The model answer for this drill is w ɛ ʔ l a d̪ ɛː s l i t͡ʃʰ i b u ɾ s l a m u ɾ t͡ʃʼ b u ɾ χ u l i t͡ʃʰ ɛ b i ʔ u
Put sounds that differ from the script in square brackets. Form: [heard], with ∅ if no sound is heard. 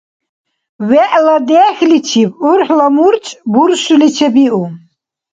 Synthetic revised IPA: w ɛ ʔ l a d̪ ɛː [x] l i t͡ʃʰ i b u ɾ [ħ] l a m u ɾ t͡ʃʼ b u ɾ [ʃ] u l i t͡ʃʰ ɛ b i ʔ u